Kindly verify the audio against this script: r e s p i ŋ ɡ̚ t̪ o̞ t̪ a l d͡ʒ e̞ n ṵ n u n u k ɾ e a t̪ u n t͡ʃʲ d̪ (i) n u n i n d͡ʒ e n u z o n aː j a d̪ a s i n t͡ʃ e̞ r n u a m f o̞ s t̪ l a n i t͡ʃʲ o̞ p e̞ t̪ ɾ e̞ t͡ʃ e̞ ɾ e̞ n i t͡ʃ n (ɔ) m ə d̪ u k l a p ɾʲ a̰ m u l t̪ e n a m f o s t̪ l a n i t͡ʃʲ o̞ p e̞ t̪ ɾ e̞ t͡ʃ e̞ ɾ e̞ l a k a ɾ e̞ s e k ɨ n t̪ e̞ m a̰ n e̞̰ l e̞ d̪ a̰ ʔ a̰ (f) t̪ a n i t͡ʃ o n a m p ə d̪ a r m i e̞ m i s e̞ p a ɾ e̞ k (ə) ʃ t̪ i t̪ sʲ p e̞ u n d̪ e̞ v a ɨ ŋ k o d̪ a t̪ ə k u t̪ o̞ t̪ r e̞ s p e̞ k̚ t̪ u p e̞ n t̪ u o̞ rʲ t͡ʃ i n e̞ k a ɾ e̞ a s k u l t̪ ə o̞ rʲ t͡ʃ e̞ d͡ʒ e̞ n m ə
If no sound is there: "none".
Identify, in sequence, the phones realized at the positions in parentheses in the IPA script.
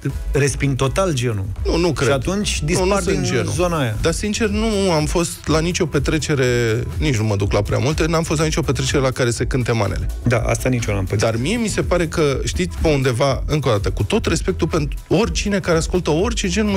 i, u, s, ə

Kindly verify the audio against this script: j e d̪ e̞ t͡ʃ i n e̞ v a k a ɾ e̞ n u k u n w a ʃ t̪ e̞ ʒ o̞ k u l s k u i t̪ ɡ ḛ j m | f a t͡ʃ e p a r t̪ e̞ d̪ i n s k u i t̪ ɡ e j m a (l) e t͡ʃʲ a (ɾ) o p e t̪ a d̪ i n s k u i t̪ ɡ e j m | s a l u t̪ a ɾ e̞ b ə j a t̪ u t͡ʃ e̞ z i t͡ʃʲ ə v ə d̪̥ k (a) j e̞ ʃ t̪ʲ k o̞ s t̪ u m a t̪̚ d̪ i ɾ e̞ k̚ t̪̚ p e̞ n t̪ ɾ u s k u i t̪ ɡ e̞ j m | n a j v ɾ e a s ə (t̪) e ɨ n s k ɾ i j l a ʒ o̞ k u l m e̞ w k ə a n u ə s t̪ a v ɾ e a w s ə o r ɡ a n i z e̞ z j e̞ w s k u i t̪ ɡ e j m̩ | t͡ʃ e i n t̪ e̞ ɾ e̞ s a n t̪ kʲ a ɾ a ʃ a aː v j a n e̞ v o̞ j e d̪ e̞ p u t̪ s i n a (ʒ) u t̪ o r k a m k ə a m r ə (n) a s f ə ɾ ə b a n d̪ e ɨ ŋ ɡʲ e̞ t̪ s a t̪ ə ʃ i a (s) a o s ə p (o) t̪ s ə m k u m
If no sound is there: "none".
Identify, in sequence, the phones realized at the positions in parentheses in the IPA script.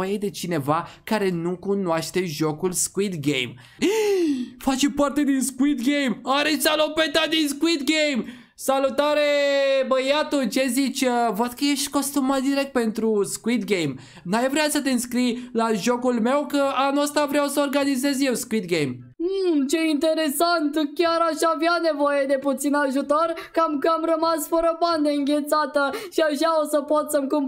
ɾ, l, ə, t̪, ʒ, m, ʃ, o

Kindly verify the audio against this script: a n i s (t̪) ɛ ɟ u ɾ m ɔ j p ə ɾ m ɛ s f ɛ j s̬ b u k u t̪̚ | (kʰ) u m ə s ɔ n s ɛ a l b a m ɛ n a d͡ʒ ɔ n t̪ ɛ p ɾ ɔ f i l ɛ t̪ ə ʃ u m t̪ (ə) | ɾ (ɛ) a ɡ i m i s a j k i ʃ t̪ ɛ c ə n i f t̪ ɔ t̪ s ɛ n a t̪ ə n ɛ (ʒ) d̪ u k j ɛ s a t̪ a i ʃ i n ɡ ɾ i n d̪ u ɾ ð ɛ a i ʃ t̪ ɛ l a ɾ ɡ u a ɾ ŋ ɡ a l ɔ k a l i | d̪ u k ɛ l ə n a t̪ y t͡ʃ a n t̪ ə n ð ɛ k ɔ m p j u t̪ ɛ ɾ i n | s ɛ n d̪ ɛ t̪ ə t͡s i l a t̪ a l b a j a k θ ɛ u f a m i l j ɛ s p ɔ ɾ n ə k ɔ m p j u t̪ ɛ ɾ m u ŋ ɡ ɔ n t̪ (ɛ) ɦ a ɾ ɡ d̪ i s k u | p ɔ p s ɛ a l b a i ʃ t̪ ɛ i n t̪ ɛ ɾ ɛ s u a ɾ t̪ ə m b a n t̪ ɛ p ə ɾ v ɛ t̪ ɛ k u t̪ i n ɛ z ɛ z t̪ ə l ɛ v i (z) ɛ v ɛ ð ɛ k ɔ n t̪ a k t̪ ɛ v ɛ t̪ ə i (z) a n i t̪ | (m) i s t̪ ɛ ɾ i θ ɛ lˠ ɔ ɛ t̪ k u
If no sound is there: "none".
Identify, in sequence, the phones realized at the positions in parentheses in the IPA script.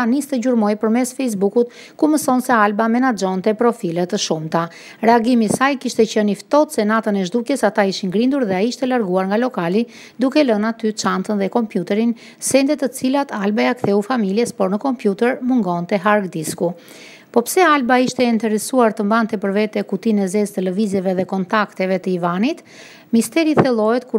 t̪, k, a, ɛ, ʒ, ɛ, z, v, m

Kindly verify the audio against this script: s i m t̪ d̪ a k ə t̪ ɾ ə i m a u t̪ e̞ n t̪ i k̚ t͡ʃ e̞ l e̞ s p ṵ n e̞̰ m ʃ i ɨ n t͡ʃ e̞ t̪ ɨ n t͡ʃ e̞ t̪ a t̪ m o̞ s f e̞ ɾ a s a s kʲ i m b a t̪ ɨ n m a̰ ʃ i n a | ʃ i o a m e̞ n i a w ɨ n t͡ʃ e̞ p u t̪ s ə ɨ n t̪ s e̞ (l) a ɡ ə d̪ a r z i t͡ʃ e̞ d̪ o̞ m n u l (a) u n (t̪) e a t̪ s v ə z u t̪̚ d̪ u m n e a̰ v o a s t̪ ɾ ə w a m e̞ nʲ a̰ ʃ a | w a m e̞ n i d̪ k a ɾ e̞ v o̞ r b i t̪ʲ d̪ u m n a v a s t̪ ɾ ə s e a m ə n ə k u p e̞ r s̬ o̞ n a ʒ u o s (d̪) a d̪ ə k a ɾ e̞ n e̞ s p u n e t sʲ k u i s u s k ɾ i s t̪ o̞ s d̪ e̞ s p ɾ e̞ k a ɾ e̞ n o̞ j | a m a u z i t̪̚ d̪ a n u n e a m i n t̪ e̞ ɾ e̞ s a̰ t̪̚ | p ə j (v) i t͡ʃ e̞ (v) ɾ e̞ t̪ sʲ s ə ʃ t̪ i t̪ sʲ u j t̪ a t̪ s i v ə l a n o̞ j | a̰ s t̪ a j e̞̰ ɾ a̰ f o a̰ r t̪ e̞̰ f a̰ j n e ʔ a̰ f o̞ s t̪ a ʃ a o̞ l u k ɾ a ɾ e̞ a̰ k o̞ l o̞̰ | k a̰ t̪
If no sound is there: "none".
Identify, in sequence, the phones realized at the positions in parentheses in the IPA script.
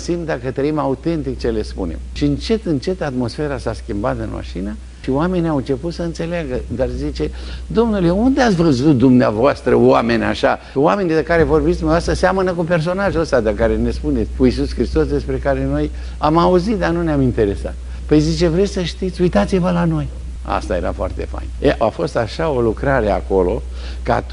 l, e, d̪, t̪, z, v

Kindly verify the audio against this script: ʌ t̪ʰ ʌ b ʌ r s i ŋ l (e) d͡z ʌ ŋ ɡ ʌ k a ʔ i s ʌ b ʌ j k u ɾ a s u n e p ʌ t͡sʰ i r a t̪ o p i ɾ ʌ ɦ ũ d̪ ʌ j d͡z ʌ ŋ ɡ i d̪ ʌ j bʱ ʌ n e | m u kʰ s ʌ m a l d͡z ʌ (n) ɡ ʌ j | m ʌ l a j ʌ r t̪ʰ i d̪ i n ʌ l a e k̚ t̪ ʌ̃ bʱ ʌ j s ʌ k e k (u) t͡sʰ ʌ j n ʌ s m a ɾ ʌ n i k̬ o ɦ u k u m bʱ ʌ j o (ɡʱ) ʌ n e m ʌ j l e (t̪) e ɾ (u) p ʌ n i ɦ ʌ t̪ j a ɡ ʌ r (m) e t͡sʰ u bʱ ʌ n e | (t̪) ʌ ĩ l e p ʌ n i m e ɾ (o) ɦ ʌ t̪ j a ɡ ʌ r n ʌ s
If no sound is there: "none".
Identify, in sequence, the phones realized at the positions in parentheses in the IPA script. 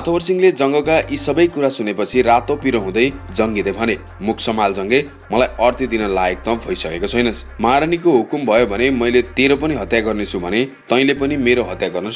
e, ŋ, o, bʱ, t̪, o, n, t̪, o

